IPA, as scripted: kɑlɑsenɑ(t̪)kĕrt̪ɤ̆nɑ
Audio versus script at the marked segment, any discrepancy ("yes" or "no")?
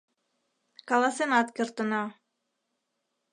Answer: no